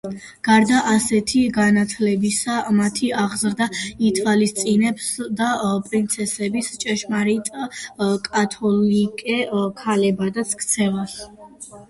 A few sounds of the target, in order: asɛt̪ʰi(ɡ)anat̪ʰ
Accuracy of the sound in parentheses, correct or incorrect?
correct